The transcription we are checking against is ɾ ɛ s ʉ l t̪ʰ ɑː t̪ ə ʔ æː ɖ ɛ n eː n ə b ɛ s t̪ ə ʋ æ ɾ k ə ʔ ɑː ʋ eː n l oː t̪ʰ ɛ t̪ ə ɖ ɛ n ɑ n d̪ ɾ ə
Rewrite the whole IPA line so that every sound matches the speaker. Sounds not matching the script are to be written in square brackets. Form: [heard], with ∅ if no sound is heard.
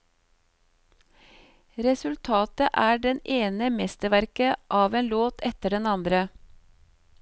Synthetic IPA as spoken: ɾ ɛ s ʉ l t̪ʰ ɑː t̪ ə ʔ æː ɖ ɛ n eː n ə [m] ɛ s t̪ ə ʋ æ ɾ k ə ʔ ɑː ʋ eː n l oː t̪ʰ ɛ t̪ ə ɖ ɛ n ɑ n d̪ ɾ ə